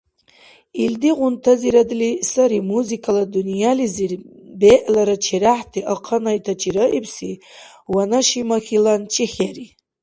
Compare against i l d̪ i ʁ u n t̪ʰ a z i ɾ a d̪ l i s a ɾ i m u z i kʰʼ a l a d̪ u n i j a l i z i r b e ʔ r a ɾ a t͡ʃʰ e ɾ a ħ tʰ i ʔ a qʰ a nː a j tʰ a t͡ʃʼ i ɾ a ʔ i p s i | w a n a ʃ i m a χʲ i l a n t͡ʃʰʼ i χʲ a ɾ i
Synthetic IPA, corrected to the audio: i l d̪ i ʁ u n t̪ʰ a z i ɾ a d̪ l i s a ɾ i m u z i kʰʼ a l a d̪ u n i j a l i z i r b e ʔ l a ɾ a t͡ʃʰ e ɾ a ħ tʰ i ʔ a qʰ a n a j tʰ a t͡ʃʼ i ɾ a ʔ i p s i | w a n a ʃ i m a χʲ i l a n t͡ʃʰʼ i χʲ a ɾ i